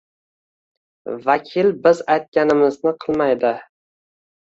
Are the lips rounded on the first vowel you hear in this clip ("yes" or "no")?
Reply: no